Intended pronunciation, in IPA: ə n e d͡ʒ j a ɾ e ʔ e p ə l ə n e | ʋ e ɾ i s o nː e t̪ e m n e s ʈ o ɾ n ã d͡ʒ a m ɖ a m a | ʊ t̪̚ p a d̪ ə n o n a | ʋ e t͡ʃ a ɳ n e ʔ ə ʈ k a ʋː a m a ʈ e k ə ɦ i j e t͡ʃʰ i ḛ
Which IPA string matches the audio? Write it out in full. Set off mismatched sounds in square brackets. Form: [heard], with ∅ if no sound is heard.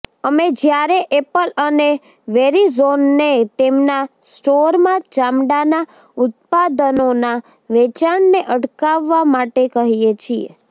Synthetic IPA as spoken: ə [m] e d͡ʒ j a ɾ e ʔ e p ə l ə n e | ʋ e ɾ i [z] o nː e t̪ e m n [a] s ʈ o ɾ [m] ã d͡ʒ a m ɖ a [n] a | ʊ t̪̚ p a d̪ ə n o n a | ʋ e t͡ʃ a ɳ n e ʔ ə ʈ k a ʋː a m a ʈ e k ə ɦ i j e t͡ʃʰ i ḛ